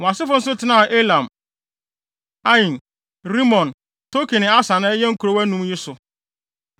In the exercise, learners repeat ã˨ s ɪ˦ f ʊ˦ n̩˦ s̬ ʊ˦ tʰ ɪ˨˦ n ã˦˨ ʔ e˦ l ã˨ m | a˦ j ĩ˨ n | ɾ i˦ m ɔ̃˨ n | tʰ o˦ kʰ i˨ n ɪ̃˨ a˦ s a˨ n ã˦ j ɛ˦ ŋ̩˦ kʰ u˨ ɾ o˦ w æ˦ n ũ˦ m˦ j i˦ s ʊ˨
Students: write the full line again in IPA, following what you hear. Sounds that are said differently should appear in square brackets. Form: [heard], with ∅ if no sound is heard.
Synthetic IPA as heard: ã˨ s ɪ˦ f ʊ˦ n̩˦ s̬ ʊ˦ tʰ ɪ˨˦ n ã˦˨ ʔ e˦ l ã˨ m | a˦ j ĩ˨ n | ɾ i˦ m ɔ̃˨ n | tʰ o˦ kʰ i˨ n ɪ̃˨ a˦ s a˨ n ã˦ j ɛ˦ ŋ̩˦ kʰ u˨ ɾ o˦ w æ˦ n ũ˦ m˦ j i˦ s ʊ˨